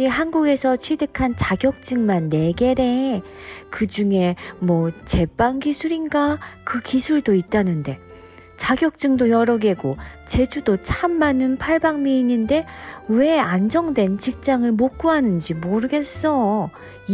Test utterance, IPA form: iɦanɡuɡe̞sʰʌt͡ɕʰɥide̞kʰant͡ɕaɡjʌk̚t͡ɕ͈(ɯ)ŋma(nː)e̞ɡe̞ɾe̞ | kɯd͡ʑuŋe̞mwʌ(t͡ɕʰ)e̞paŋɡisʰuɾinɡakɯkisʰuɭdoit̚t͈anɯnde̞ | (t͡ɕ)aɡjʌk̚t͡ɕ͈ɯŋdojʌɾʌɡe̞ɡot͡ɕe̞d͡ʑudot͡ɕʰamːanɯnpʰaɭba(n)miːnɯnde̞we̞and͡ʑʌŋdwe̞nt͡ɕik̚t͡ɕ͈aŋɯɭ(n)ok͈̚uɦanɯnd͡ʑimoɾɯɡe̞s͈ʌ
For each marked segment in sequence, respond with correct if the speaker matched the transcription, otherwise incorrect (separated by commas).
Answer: correct, correct, incorrect, correct, incorrect, incorrect